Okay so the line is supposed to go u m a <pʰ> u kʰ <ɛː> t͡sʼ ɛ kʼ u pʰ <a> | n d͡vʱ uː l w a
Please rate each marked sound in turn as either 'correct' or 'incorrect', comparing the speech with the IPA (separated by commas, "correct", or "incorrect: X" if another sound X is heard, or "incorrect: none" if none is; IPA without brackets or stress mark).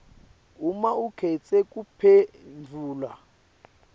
incorrect: none, incorrect: ɛ, incorrect: ɛ